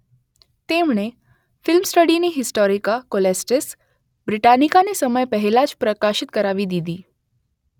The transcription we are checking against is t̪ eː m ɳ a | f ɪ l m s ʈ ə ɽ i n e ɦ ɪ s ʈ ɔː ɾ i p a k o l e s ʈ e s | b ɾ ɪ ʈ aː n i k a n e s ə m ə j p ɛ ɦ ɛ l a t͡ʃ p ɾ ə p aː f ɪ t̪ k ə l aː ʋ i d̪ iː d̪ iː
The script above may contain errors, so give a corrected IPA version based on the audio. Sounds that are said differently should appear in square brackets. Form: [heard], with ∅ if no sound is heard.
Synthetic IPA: t̪ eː m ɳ [e] | f ɪ l m s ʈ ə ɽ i n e ɦ ɪ s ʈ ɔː ɾ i [k] a k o l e s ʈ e s | b ɾ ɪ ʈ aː n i k a n e s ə m ə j p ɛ ɦ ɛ l a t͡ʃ p ɾ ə [k] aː [ʃ] ɪ t̪ k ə [ɾ] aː ʋ i d̪ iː d̪ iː